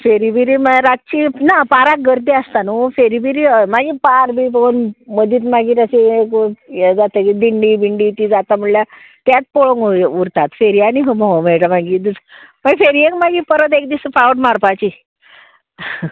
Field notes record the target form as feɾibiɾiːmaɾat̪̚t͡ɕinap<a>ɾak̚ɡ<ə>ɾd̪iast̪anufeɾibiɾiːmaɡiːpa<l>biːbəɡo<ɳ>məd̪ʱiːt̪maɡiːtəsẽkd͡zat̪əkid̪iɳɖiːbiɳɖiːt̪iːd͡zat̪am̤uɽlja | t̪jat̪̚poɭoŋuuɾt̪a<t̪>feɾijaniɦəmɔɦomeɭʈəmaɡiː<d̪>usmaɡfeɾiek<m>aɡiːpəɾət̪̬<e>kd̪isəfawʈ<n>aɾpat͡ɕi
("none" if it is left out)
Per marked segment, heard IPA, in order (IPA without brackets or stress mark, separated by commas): a, ə, ɾ, n, t̪, d̪, m, e, m